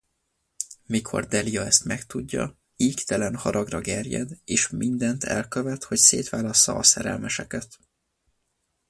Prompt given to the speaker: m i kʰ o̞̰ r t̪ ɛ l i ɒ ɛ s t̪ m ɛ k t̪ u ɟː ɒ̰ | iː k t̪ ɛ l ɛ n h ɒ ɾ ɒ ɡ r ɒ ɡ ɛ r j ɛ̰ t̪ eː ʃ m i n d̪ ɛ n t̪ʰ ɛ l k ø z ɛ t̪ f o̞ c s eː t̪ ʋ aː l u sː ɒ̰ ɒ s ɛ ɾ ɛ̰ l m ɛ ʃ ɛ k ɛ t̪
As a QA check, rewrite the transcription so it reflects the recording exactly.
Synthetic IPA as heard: m i kʰ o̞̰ r d̪ ɛ l i ɒ ɛ s t̪ m ɛ k t̪ u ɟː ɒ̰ | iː k t̪ ɛ l ɛ n h ɒ ɾ ɒ ɡ r ɒ ɡ ɛ r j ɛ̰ d̪ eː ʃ m i n d̪ ɛ n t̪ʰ ɛ l k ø v ɛ t̪ h o̞ c s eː t̪ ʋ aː l ɒ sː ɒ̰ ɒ s ɛ ɾ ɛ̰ l m ɛ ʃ ɛ k ɛ t̪